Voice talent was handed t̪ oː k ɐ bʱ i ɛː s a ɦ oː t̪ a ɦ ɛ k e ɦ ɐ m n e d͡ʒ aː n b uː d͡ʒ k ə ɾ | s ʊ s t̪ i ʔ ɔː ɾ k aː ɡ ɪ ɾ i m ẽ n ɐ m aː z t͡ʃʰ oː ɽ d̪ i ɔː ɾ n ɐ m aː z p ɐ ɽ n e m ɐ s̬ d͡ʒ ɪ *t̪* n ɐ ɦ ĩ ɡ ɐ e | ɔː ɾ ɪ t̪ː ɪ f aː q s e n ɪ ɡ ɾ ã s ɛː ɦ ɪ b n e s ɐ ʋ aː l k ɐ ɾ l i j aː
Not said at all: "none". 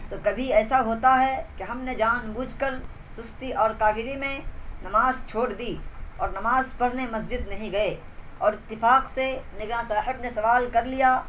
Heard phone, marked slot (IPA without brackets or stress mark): d̪